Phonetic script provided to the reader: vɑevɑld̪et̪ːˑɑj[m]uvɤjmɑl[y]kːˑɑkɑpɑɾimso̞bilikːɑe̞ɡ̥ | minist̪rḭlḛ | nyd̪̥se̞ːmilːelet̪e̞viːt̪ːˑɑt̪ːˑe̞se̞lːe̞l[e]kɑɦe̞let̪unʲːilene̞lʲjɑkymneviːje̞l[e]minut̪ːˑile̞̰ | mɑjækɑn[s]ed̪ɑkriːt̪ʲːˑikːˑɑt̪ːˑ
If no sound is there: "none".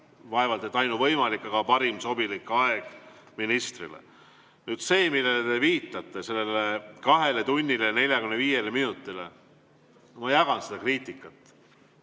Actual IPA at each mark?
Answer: n, i, e, e, s

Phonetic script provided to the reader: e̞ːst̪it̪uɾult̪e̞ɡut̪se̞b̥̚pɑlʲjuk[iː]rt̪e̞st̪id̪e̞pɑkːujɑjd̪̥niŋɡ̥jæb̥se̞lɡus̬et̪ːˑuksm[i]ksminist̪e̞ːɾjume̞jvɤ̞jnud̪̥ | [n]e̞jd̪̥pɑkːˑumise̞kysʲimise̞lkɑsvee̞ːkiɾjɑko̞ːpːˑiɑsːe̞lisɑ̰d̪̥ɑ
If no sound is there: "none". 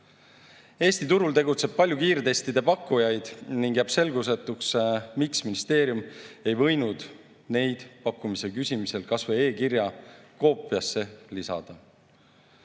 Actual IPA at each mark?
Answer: iː, i, n

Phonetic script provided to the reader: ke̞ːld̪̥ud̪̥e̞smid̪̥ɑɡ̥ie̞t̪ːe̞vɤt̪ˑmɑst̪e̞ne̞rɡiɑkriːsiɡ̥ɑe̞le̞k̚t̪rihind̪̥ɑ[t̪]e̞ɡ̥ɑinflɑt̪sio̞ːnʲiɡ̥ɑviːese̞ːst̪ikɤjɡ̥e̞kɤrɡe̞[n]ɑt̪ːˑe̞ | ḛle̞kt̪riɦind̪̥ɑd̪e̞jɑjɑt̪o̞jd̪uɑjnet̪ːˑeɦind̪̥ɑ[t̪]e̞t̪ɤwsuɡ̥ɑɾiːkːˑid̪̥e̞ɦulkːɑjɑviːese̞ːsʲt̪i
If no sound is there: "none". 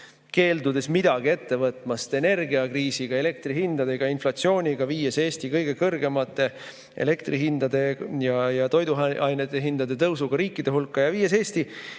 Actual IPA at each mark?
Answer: d̪, m, d̪

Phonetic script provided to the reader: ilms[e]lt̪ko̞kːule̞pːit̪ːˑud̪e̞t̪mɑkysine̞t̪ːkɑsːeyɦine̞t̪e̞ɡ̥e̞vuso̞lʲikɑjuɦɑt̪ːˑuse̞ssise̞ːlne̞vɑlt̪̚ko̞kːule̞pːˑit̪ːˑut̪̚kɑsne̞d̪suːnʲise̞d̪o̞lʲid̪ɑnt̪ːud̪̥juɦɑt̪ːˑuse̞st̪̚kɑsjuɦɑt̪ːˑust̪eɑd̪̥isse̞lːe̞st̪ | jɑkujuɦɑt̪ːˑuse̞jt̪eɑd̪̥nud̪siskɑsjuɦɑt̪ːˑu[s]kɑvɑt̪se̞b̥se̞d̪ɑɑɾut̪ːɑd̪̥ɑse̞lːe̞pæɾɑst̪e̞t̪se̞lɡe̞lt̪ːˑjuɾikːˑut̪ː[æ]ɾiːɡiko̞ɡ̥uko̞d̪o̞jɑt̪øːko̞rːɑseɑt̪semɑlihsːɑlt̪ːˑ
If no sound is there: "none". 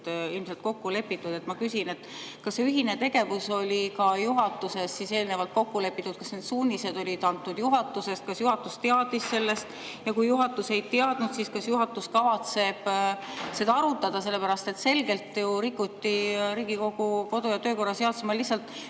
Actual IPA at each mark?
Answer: e, s, i

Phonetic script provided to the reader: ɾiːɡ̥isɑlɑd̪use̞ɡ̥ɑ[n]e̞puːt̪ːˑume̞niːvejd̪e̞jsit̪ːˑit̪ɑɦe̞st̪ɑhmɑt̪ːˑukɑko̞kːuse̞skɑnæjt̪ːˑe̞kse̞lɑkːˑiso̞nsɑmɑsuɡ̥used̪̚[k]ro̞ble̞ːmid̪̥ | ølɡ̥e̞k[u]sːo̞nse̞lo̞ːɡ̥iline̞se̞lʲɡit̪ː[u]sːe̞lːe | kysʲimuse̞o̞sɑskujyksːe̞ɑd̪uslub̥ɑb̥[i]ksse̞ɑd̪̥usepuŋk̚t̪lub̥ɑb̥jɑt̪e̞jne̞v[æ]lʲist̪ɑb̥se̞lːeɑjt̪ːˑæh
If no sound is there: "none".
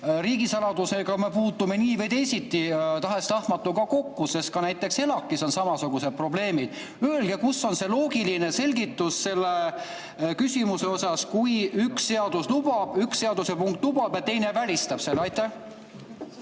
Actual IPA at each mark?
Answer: m, p, u, u, y, æ

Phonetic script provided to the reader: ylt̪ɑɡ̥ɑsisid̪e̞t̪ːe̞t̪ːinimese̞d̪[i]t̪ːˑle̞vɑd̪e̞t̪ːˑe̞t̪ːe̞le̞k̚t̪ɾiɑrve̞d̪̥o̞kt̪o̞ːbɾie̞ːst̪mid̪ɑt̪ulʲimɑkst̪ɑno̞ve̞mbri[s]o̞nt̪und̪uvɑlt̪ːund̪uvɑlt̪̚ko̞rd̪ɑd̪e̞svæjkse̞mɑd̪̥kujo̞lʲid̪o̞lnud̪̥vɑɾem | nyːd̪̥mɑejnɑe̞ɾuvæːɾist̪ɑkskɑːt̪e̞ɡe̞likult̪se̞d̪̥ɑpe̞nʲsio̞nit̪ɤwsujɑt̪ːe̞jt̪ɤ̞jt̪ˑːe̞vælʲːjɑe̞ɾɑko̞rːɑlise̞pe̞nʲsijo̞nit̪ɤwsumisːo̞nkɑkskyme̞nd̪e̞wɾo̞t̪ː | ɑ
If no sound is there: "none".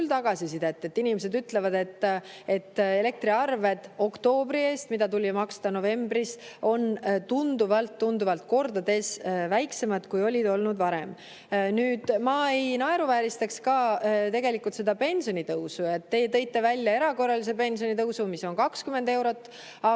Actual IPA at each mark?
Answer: y, s

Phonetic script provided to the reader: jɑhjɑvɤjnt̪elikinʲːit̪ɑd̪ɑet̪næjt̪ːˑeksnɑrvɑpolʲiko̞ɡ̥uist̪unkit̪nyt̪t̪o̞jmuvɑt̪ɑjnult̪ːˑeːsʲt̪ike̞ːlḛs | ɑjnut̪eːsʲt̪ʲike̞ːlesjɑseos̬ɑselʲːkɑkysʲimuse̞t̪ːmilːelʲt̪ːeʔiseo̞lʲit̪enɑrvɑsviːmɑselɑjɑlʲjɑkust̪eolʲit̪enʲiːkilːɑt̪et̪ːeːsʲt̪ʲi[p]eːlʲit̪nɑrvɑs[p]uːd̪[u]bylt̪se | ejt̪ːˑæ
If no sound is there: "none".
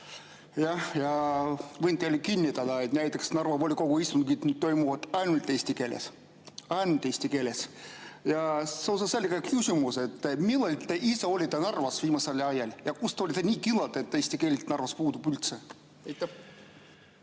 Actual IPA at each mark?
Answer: k, p, u

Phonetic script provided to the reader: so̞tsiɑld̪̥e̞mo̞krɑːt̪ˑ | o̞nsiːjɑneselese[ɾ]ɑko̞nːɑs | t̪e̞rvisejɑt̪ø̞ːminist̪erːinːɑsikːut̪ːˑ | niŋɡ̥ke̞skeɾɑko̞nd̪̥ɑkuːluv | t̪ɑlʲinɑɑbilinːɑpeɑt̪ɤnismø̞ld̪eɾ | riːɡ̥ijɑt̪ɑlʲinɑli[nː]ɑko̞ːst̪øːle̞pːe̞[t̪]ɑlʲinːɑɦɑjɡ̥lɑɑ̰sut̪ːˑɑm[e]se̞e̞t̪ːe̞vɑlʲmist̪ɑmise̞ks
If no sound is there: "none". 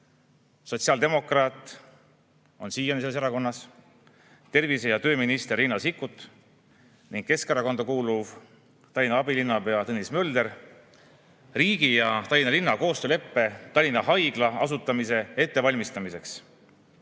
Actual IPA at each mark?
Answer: ɾ, nː, t̪, i

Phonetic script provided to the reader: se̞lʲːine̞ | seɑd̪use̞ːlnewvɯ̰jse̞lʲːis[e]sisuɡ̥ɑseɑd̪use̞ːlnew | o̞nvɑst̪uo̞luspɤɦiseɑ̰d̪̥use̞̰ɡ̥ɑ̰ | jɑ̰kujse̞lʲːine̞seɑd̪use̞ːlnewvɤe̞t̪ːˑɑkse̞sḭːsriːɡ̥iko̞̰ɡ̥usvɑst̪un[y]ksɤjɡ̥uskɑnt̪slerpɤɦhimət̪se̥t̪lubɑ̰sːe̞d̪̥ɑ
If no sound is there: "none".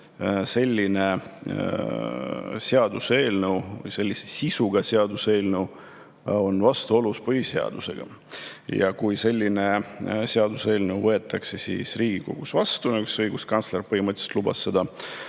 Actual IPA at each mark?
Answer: e, y

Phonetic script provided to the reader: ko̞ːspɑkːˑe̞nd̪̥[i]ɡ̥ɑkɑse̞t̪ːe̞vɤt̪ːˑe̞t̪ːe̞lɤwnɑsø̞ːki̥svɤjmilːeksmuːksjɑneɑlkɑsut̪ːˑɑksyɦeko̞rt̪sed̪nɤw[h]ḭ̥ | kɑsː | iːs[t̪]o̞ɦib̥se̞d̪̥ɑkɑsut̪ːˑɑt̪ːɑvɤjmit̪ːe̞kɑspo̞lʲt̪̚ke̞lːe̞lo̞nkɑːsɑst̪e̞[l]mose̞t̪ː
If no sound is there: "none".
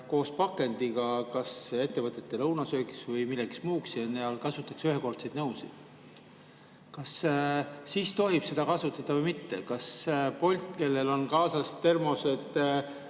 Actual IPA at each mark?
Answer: i, s, t̪, r

